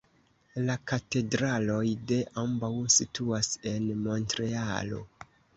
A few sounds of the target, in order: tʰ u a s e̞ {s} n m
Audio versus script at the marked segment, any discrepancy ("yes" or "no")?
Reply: yes